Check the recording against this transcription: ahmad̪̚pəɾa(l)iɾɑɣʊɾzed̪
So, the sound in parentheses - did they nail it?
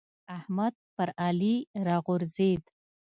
yes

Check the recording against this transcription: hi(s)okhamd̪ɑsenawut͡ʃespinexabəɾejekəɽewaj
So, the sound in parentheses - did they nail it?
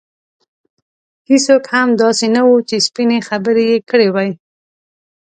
yes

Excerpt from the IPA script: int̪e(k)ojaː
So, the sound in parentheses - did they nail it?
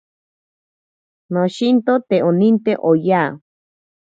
no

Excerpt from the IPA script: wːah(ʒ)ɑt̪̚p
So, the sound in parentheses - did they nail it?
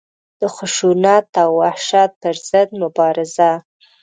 no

